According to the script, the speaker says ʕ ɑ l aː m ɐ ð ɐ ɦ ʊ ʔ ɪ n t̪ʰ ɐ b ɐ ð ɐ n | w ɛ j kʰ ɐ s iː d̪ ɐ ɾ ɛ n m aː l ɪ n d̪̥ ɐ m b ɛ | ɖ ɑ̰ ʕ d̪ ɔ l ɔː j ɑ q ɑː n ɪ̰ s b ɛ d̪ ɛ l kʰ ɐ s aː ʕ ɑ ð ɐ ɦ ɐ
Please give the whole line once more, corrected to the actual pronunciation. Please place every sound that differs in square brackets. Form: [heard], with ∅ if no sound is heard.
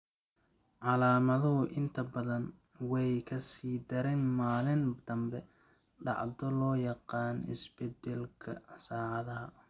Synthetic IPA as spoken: ʕ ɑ l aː m ɐ ð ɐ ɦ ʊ ʔ ɪ n t̪ʰ ɐ b ɐ ð ɐ n | w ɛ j kʰ ɐ s iː d̪ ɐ ɾ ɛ n m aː l ɪ n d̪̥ ɐ m b ɛ | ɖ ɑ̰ ʕ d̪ ɔ l ɔː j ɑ q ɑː n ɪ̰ s b ɛ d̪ ɛ l kʰ ɐ s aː ʕ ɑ ð ɐ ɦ ɐ